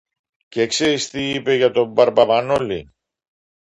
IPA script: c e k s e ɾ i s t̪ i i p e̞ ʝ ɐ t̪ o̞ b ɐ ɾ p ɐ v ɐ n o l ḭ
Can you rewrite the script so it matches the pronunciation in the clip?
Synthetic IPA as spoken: c e k s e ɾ i s t̪ i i p e̞ ʝ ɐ t̪ o̞ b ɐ ɾ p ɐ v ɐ n o l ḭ

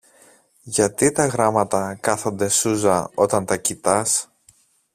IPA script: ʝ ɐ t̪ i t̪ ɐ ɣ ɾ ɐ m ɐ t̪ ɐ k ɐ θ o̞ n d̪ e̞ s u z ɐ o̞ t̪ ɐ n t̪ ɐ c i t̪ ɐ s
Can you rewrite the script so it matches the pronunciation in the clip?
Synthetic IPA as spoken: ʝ ɐ t̪ i t̪ ɐ ɣ ɾ ɐ m ɐ t̪ ɐ k ɐ θ o̞ n d̪ e̞ s u z ɐ o̞ t̪ ɐ n t̪ ɐ c i t̪ ɐ s

